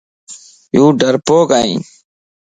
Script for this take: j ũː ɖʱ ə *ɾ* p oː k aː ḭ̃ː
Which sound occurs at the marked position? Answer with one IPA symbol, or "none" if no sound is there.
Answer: ɾ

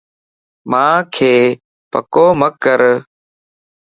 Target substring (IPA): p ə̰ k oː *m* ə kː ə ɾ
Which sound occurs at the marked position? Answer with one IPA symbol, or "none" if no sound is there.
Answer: m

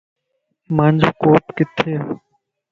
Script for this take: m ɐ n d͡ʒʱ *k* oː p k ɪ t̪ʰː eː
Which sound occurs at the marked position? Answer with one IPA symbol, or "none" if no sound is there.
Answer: k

